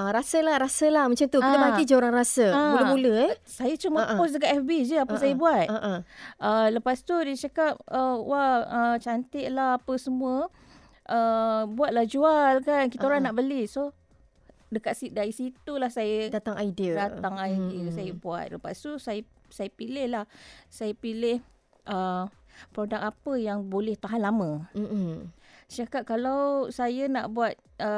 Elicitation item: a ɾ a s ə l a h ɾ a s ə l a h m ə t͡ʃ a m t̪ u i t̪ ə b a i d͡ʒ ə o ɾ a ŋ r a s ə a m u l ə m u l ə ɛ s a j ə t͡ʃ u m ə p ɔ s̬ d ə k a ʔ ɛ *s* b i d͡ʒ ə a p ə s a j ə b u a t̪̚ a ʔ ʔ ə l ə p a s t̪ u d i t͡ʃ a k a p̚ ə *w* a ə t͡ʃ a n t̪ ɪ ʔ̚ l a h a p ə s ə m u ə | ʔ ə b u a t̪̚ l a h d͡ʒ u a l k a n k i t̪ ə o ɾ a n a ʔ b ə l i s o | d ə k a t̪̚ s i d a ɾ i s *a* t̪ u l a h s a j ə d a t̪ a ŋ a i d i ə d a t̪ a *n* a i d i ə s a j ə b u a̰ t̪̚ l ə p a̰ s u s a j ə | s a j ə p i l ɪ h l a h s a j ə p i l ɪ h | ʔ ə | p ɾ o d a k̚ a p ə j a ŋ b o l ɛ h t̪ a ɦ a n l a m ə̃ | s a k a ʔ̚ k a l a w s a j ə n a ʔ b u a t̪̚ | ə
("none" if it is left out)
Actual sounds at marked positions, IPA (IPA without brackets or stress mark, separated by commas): f, w, i, ŋ